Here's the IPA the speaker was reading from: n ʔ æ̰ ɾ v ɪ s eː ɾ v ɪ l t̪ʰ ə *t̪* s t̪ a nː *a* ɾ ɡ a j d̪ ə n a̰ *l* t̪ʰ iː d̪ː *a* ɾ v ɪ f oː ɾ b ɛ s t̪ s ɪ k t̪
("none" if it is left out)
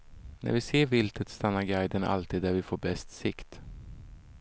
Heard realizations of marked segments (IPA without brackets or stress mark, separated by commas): t̪, a, l, æ